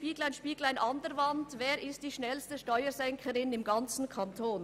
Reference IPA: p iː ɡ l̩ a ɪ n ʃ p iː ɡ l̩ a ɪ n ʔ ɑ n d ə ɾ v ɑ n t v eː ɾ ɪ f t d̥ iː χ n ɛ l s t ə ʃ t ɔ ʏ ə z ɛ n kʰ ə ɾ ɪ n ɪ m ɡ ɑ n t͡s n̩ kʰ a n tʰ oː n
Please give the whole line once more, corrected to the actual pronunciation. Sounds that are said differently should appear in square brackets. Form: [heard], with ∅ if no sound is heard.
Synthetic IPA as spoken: p iː ɡ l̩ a ɪ n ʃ p iː ɡ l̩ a ɪ n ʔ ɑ n d ə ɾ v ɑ n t v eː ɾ ɪ [s] t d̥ iː [ʃ] n ɛ l s t ə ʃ t ɔ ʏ ə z ɛ [ŋ] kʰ ə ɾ ɪ n ɪ m ɡ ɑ n t͡s n̩ kʰ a n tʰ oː n